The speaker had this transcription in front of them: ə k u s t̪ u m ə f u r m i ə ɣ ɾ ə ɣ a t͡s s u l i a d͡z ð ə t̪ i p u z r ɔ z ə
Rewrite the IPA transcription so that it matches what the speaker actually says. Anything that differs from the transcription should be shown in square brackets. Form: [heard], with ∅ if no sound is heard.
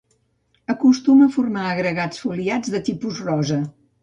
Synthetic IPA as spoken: ə k u s t̪ u m ə f u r m [a] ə ɣ ɾ ə ɣ a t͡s [f] u l i a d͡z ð ə t̪ i p u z r ɔ z ə